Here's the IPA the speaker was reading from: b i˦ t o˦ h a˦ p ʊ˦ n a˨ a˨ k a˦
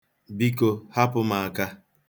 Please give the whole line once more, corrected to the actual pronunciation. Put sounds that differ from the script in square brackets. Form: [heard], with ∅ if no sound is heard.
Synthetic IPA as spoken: b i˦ [k] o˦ h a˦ p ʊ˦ [m] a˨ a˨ k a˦